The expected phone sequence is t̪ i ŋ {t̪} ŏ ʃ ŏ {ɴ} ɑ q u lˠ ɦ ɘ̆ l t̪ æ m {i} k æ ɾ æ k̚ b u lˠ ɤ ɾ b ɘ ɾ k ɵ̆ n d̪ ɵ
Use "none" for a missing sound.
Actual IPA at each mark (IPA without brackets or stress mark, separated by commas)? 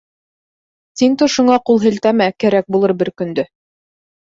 t̪, ɴ, æ